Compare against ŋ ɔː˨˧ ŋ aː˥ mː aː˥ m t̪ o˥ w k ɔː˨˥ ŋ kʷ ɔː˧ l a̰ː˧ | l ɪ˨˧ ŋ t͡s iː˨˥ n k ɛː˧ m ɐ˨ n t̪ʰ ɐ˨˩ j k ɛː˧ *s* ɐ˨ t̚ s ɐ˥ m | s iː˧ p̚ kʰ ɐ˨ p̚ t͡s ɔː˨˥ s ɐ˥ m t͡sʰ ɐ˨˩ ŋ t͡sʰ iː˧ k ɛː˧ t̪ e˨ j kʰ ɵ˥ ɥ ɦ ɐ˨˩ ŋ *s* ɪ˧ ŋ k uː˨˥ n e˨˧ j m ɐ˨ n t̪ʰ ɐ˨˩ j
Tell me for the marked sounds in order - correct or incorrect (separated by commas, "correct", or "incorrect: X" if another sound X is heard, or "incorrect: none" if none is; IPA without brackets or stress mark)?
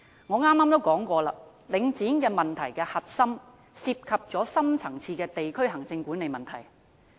incorrect: h, incorrect: t͡s